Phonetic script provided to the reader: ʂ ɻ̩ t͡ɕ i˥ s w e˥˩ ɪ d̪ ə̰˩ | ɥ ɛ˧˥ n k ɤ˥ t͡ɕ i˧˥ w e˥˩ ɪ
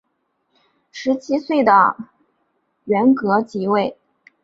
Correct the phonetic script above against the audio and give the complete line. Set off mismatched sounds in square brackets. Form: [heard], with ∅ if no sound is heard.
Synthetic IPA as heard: ʂ ɻ̩ [t͡ɕʰ] i˥ s w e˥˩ ɪ d̪ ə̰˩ | ɥ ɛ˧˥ n k [ɤ˧˥] t͡ɕ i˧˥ w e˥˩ ɪ